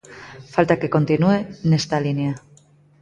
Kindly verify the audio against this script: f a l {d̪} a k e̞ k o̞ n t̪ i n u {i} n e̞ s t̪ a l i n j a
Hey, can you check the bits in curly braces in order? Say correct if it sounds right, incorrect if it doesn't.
incorrect, incorrect

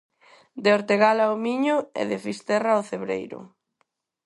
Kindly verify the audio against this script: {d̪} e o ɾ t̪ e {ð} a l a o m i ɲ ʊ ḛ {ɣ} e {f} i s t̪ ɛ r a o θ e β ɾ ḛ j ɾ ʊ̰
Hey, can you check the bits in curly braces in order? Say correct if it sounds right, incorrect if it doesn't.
correct, incorrect, incorrect, correct

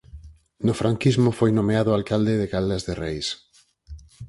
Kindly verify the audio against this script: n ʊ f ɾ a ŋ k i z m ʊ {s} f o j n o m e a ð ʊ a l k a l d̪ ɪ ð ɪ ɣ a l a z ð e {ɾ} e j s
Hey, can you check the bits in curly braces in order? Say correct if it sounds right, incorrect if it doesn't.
incorrect, incorrect

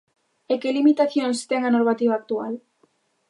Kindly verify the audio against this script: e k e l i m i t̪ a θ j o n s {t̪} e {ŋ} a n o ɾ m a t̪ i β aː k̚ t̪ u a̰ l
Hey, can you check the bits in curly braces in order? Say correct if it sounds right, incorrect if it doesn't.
correct, correct

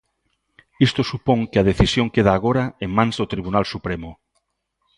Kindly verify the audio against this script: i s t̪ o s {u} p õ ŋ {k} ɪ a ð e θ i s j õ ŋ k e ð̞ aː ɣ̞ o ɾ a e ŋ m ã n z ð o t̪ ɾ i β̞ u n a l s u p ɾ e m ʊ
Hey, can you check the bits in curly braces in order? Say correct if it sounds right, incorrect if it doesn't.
correct, correct

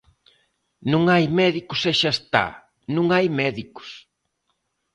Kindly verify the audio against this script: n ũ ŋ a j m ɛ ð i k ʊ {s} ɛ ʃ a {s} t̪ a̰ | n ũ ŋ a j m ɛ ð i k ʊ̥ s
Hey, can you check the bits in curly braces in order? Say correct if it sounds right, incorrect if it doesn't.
correct, correct

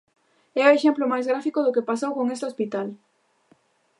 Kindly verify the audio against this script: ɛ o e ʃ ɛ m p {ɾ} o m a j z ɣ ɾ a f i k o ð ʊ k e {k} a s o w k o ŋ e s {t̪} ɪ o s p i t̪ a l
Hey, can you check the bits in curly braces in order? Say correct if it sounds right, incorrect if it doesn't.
incorrect, incorrect, correct

